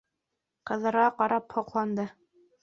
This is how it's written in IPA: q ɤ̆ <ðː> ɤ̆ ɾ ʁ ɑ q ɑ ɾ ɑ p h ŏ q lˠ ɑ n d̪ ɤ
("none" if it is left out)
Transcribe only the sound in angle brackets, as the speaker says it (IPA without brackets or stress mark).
ð